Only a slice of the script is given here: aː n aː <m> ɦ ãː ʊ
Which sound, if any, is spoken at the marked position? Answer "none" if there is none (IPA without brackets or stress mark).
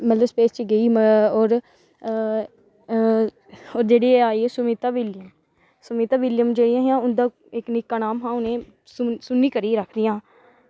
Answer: m